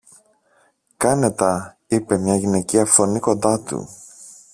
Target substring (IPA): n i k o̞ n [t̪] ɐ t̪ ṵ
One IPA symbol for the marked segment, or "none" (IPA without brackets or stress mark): d̪